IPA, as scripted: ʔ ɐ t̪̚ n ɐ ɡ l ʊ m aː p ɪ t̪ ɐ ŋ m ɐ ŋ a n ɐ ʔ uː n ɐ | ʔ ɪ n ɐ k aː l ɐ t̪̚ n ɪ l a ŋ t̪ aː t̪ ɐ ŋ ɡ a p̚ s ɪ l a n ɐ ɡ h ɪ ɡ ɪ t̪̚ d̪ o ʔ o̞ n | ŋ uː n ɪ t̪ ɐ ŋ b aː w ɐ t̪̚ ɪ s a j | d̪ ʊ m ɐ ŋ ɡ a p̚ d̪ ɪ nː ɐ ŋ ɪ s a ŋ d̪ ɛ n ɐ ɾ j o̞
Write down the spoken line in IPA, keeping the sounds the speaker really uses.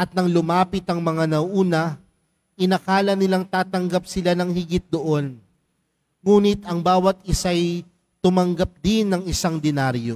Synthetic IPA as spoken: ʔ ɐ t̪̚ n ɐ ŋ l ʊ m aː p ɪ t̪ ɐ ŋ m ɐ ŋ a n ɐ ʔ uː n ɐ | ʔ ɪ n ɐ k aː l ɐ n ɪ l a ŋ t̪ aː t̪ ɐ ŋ ɡ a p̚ s ɪ l a n ɐ ŋ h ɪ ɡ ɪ t̪̚ d̪ o ʔ o̞ n | ŋ uː n ɪ t̪ ɐ ŋ b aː w ɐ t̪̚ ɪ s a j | t̪ ʊ m ɐ ŋ ɡ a p̚ d̪ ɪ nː ɐ ŋ ɪ s a ŋ d̪ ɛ n a ɾ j o̞